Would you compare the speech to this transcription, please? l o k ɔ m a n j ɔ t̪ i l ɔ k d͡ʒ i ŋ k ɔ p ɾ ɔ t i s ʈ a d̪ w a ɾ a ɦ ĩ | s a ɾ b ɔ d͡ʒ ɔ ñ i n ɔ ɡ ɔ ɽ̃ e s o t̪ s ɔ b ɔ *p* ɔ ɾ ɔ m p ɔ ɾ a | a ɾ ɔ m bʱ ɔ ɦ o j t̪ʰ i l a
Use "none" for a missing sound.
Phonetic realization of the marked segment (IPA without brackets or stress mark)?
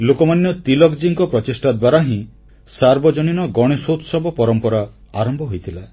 p